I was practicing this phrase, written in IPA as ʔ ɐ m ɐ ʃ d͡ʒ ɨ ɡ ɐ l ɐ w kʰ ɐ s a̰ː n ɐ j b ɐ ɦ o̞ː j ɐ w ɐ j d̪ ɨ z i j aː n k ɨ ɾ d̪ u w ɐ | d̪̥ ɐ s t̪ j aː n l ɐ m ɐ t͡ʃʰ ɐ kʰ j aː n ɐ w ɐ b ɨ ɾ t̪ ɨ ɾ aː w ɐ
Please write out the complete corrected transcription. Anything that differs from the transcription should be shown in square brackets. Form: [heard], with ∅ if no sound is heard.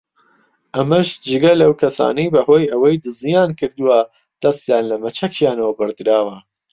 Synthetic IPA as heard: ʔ ɐ m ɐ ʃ d͡ʒ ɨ ɡ ɐ l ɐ w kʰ ɐ s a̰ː n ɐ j b ɐ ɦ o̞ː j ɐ w ɐ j d̪ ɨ z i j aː n k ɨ ɾ d̪ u w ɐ | d̪̥ ɐ s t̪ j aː n l ɐ m ɐ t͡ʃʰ ɐ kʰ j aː n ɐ w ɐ b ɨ ɾ [d̪] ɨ ɾ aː w ɐ

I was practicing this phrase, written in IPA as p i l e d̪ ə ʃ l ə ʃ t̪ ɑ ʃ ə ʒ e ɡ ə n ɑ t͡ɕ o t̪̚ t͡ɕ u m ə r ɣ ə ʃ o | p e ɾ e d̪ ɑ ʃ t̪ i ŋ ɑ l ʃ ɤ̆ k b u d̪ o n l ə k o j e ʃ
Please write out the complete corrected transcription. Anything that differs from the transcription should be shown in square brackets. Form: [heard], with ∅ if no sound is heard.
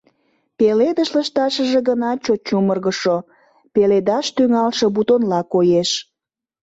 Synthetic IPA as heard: p [e] l e d̪ ə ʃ l ə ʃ t̪ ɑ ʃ ə ʒ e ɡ ə n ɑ t͡ɕ o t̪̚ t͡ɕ u m ə r ɣ ə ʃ o | p e [l] e d̪ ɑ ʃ t̪ [y] ŋ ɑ l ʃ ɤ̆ [∅] b u [t̪] o n l [ɑ] k o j e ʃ

